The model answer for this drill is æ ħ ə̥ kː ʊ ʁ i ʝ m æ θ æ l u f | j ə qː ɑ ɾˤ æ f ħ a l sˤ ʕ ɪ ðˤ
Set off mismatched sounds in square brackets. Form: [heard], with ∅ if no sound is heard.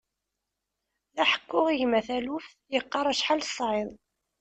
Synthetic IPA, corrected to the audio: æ ħ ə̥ kː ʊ ʁ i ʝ m æ θ æ l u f | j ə qː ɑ ɾˤ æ [ʃ] ħ a l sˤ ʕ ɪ ðˤ